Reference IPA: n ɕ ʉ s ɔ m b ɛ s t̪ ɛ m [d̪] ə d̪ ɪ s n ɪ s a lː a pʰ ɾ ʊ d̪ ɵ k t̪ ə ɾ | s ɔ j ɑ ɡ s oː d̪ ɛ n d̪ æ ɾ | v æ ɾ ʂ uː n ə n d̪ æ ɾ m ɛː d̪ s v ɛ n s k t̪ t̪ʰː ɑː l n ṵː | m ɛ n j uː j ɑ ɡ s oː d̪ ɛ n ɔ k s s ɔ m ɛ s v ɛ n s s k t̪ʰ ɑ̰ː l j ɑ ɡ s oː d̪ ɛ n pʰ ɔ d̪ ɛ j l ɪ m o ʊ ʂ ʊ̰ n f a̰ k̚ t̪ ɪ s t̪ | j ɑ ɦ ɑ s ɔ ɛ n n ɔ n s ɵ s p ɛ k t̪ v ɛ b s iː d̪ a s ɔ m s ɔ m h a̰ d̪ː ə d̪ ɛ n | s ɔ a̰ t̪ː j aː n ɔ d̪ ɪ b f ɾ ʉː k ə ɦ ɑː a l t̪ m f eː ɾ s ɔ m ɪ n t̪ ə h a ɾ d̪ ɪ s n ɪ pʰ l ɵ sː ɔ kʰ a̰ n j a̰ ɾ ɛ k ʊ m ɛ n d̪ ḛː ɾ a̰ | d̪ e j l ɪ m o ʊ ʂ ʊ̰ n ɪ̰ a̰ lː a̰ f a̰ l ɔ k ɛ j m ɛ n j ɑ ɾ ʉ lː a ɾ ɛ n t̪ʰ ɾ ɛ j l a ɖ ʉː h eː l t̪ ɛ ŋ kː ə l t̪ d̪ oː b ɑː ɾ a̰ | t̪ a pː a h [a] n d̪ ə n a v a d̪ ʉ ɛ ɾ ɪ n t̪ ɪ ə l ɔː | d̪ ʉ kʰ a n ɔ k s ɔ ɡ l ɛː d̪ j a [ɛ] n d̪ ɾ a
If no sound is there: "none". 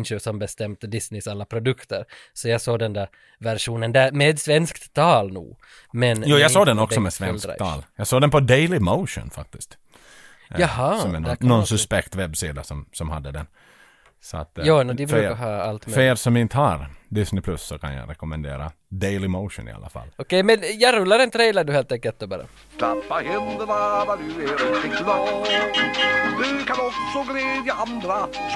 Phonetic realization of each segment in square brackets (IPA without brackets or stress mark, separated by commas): t̪, ɛ, a